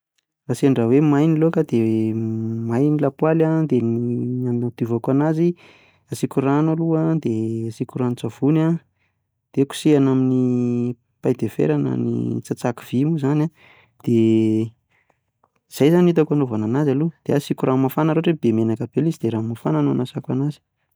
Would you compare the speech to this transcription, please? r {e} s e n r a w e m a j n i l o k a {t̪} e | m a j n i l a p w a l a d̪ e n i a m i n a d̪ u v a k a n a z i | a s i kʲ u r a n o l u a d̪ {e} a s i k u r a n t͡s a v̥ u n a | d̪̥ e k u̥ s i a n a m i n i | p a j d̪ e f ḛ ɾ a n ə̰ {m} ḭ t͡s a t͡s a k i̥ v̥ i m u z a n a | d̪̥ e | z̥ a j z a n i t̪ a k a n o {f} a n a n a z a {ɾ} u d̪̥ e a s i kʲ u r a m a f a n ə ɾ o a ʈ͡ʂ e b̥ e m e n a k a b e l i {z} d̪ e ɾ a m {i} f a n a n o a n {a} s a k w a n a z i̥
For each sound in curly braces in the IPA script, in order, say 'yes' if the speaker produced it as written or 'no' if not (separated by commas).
no, no, yes, no, no, no, yes, no, yes